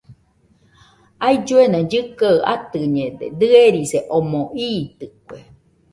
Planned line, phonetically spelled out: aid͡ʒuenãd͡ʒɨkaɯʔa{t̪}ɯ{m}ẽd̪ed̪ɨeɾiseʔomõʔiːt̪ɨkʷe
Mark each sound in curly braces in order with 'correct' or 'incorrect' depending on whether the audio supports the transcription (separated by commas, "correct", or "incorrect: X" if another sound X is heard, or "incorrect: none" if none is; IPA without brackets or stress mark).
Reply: correct, incorrect: ɲ